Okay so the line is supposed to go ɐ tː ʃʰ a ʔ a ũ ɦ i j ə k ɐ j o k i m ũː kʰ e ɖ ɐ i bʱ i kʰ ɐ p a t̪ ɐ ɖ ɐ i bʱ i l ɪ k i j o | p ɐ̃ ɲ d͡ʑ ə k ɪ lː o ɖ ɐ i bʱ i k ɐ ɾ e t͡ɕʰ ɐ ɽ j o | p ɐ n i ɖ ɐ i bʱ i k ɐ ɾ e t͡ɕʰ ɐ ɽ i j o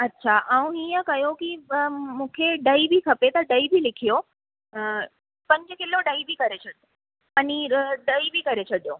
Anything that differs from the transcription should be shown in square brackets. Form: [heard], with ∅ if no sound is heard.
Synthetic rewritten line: ɐ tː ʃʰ a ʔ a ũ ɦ i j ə k ɐ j o k i m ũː kʰ e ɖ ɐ i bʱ i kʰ ɐ p [e] t̪ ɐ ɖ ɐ i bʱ i l ɪ [kʰ] i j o | p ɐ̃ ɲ d͡ʑ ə k ɪ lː o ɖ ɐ i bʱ i k ɐ ɾ e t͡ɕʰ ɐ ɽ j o | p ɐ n i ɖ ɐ i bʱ i k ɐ ɾ e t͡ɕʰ ɐ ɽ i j o